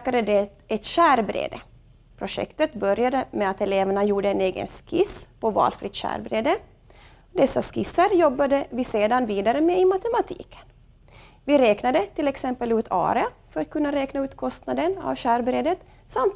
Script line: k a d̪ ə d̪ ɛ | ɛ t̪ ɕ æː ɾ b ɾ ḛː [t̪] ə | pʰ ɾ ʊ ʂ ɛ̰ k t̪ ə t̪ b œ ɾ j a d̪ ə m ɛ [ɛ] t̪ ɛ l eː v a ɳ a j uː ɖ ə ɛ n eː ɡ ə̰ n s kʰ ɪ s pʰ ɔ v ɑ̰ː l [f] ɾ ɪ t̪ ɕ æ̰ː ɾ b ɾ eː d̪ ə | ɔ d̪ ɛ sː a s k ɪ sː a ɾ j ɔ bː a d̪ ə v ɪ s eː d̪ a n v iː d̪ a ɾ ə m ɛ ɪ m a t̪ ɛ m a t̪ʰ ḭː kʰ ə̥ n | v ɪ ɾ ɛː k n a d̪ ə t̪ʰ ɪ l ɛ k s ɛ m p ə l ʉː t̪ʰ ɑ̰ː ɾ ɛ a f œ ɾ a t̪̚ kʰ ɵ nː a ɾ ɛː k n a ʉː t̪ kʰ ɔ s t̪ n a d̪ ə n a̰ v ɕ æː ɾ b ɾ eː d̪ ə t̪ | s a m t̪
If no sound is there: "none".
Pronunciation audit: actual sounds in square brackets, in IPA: d̪, a, f

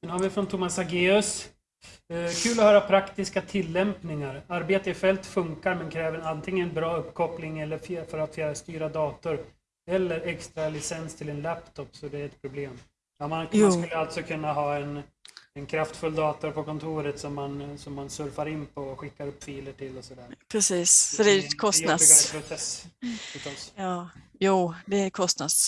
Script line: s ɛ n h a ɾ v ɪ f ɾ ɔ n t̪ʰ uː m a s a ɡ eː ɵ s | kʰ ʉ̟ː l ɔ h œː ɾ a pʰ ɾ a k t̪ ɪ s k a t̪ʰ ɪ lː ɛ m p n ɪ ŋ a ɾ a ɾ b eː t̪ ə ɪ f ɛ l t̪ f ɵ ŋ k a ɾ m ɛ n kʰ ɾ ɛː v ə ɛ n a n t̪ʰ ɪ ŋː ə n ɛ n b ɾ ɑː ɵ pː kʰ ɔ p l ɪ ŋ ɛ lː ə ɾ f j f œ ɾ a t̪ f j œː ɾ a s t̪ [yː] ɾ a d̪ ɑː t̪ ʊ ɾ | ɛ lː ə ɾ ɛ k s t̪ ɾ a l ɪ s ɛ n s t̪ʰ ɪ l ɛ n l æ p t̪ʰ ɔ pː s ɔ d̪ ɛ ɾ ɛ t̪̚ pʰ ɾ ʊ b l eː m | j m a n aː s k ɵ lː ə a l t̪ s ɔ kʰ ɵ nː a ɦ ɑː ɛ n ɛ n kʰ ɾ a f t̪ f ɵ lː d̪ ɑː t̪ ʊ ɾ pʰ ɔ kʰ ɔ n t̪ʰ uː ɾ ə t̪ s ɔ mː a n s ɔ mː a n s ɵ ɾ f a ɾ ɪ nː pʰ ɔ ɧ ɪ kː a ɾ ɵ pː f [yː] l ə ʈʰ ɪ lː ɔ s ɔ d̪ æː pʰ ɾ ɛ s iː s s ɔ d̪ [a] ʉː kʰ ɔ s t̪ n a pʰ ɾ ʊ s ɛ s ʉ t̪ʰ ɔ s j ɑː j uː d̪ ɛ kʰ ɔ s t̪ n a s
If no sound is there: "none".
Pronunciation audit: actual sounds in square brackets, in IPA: yː, iː, ɛ

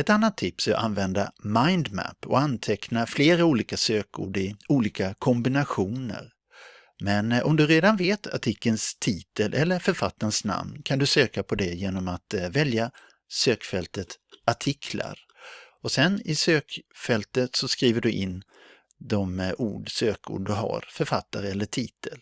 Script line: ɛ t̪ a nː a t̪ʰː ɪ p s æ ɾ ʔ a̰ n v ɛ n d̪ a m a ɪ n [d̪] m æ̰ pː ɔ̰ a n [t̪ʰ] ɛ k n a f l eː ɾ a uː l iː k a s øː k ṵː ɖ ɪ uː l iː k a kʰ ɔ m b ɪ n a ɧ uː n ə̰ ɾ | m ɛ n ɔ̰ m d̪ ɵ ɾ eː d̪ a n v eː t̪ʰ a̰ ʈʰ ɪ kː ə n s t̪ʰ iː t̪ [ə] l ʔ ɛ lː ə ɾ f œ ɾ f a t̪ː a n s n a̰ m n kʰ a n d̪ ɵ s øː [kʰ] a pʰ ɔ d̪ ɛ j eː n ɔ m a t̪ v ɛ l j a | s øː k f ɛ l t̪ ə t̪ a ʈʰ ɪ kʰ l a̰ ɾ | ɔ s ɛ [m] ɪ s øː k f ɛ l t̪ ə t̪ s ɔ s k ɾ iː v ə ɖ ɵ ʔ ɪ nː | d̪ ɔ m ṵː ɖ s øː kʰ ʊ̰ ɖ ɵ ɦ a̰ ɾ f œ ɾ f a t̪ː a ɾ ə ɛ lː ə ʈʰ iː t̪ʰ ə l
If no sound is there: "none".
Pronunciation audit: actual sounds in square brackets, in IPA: d̪, t̪ʰ, ə, k, n

